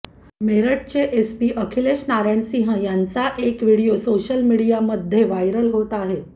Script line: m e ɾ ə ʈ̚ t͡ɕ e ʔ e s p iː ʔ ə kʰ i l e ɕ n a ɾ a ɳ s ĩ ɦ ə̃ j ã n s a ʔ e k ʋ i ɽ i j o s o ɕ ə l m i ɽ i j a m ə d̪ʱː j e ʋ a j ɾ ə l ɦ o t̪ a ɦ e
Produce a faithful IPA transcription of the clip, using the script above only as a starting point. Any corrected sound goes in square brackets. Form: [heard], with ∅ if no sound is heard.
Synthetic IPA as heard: m e ɾ ə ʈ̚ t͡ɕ e ʔ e s p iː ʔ ə kʰ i l e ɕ n a ɾ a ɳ s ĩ ɦ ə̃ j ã n [t͡s] a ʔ e k ʋ i ɽ i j o s o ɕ ə l m i ɽ i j a m ə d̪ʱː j e ʋ a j ɾ ə l ɦ o t̪ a ɦ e